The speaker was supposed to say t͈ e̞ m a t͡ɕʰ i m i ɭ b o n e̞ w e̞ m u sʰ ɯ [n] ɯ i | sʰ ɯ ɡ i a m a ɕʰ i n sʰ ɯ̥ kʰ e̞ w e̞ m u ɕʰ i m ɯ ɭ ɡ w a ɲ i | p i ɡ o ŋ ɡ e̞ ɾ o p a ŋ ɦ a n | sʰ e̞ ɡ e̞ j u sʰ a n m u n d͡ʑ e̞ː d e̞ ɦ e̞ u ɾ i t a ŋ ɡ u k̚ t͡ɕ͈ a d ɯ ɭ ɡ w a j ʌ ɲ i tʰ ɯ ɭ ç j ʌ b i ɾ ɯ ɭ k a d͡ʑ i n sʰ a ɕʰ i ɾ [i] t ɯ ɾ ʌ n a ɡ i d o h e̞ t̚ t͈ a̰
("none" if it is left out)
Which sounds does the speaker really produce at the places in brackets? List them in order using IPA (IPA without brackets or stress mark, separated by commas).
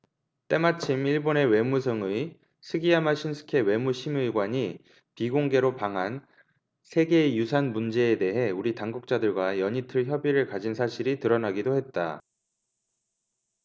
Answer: ŋ, i